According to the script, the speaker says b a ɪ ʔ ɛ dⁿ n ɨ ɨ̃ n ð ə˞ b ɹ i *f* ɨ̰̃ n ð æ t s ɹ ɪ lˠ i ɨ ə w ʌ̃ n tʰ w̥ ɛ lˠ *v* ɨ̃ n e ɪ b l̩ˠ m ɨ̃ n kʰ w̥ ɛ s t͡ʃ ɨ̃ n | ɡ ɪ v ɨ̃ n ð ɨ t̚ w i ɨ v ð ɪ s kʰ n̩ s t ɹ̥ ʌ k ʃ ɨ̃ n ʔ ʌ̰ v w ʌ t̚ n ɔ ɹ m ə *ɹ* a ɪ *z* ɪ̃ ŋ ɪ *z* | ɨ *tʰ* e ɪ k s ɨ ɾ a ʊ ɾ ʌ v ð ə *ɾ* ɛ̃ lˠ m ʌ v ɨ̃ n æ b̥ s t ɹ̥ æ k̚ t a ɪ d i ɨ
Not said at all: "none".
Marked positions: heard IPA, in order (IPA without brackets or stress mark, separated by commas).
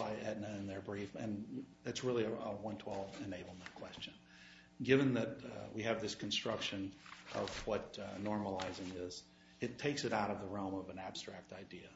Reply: f, v, l, z, z, tʰ, ɹ